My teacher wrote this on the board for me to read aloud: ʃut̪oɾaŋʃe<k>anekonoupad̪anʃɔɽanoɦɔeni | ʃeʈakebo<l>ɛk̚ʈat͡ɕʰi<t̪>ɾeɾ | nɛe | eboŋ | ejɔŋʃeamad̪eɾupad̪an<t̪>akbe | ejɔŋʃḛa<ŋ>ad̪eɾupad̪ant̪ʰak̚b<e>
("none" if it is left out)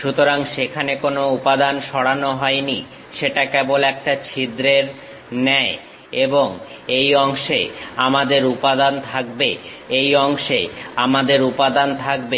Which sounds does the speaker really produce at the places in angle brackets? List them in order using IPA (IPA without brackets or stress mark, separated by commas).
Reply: kʰ, l, d̪, t̪ʰ, m, e